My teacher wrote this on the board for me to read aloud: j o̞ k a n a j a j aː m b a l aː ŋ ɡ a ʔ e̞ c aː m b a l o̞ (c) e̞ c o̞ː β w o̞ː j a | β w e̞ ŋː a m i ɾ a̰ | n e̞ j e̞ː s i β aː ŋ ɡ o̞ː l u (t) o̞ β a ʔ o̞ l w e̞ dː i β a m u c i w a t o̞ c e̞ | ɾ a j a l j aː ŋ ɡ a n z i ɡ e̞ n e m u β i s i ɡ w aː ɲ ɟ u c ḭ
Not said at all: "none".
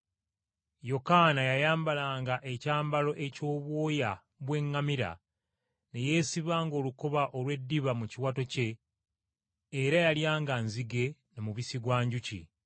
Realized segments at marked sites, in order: ʔ, k

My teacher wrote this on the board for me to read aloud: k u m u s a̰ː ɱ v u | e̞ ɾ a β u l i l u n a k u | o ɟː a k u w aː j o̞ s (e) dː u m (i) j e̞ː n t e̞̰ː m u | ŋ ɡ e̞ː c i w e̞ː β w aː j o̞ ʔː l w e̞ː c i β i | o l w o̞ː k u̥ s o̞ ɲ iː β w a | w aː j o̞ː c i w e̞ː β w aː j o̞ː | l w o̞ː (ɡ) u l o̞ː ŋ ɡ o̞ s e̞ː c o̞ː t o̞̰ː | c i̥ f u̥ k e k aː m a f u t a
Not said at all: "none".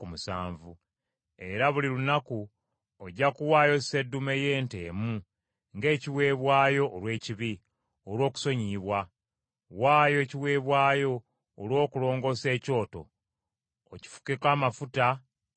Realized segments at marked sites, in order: e, e, k

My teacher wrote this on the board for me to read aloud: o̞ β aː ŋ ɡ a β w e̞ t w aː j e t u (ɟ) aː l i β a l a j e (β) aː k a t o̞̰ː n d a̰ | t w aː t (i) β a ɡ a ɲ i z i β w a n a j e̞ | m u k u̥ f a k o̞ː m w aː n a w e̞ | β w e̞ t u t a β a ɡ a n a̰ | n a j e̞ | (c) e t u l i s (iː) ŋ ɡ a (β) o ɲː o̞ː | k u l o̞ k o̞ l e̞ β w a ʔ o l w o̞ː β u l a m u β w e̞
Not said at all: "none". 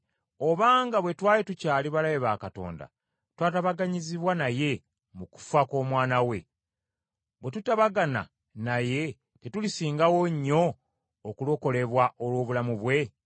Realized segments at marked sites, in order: c, β, a, t, iː, w

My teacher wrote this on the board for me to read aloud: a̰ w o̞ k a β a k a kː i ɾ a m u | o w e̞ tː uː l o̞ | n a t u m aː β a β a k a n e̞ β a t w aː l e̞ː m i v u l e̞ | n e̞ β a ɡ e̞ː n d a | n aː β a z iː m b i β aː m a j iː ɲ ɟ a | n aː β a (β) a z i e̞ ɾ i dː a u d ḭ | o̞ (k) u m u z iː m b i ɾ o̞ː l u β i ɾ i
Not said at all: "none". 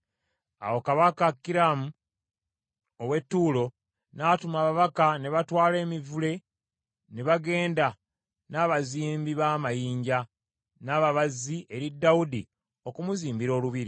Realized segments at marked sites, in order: β, k

